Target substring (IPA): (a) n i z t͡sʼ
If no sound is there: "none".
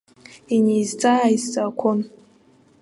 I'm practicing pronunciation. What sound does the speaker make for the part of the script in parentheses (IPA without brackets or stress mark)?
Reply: i